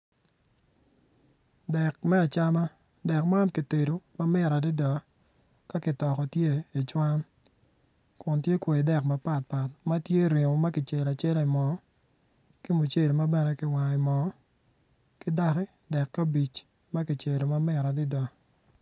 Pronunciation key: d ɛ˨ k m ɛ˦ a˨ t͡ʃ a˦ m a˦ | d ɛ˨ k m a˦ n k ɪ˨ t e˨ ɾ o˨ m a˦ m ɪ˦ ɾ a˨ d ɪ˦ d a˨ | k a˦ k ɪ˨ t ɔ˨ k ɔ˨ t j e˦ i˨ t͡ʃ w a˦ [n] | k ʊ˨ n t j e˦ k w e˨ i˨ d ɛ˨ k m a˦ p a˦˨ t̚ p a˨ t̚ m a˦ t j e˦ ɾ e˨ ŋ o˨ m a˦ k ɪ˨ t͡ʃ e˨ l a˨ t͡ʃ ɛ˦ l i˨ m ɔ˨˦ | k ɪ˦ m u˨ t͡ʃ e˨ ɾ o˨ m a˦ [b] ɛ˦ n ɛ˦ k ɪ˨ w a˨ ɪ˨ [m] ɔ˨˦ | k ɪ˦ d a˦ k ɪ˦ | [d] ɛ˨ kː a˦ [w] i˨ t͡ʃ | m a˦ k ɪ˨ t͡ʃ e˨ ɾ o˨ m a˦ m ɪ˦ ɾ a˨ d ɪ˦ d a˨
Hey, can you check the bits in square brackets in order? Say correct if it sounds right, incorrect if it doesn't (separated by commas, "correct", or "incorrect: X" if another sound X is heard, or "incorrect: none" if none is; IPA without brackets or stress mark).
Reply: correct, correct, correct, correct, incorrect: b